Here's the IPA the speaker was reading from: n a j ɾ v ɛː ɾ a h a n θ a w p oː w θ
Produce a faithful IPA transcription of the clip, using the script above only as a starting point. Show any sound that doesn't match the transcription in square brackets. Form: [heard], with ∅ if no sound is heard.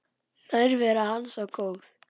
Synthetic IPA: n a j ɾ v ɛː ɾ a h a n [s] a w [k] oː w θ